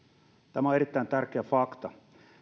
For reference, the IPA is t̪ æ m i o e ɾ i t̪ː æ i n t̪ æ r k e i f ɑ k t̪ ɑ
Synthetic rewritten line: t̪ æ m æ o e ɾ i t̪ː æ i n t̪ æ r k e æ f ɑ k t̪ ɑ